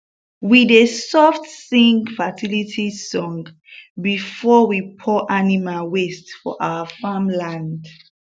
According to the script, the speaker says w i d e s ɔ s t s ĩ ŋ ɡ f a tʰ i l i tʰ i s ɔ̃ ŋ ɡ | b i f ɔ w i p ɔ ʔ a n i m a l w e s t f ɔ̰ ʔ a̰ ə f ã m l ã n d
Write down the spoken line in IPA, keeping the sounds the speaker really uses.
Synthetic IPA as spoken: w i d e s ɔ f t s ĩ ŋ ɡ f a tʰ i l i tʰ i s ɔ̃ ŋ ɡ | b i f ɔ w i pʰ ɔ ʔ a n i m a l w e s t f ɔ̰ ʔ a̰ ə f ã m l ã n d